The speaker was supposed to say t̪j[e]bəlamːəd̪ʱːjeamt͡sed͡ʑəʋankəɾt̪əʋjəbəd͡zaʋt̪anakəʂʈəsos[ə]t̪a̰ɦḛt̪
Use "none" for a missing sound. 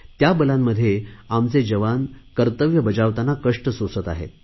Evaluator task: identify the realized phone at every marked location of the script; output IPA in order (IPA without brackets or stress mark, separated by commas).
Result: a, ə